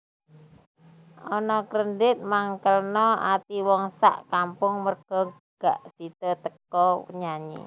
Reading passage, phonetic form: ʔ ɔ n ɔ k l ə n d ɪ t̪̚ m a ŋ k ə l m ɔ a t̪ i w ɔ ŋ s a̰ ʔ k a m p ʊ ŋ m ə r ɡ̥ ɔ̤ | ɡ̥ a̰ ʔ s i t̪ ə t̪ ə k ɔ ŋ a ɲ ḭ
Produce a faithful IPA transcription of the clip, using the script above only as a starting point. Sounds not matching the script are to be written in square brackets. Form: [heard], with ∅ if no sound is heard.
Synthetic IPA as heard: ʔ ɔ n ɔ k [ɾ] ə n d ɪ t̪̚ m a ŋ k ə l [n] ɔ a t̪ i w ɔ ŋ s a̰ ʔ k a m p ʊ ŋ m ə r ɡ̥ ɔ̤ | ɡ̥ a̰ ʔ s i t̪ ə t̪ ə k ɔ [ɲ] a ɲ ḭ